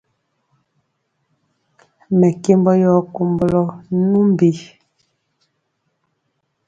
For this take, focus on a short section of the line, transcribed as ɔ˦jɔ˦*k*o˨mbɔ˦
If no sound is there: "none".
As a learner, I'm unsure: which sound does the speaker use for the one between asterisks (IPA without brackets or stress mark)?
k